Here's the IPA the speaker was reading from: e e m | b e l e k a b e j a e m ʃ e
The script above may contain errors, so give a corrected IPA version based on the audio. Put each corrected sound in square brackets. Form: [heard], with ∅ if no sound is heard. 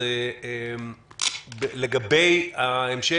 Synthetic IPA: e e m | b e l e [ɡ] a b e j a e m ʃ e